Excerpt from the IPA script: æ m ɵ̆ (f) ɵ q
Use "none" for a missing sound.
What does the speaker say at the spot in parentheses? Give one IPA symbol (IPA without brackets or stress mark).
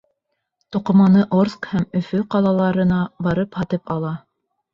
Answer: f